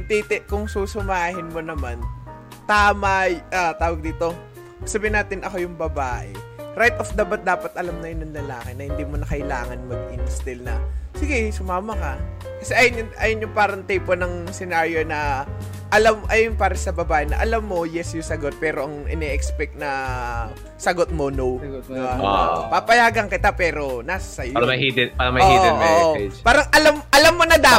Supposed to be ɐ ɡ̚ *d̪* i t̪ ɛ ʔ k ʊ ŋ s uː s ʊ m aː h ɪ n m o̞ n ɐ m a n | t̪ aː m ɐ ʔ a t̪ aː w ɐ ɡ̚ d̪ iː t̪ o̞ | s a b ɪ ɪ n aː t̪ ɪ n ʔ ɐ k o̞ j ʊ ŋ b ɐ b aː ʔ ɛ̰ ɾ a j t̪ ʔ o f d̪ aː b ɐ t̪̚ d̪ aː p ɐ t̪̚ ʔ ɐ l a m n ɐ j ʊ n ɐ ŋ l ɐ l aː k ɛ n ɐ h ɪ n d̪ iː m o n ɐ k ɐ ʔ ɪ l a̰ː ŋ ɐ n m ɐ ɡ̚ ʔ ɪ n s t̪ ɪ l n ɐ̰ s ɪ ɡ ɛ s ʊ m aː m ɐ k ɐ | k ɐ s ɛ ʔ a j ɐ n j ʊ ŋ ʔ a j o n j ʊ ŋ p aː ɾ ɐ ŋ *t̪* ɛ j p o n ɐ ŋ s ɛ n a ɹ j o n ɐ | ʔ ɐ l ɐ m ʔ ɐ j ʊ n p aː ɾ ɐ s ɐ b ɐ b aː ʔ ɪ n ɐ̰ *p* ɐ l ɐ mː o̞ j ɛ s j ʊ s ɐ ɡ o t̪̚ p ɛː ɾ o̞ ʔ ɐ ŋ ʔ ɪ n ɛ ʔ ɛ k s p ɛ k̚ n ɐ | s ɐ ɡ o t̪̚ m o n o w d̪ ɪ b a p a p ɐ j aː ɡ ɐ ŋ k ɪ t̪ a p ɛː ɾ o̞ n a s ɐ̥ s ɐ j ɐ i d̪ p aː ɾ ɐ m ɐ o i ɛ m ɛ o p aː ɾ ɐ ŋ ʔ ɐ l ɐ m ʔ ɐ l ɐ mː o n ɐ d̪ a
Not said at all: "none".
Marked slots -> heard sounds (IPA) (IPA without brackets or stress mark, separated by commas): t̪, t̪, ʔ